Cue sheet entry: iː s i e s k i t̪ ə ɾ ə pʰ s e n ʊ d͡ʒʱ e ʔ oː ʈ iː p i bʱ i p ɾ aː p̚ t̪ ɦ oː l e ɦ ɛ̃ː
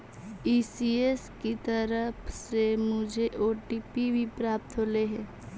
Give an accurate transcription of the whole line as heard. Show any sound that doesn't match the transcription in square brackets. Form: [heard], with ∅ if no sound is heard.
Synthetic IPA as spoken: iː s i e s k i t̪ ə ɾ ə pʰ s e [m] ʊ d͡ʒʱ e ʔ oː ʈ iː p i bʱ i p ɾ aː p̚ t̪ ɦ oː l e ɦ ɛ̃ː